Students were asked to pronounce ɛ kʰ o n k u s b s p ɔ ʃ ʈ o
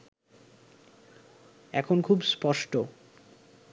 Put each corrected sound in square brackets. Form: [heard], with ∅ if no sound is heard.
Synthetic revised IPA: ɛ kʰ o n [kʰ] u [∅] b s p ɔ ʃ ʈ o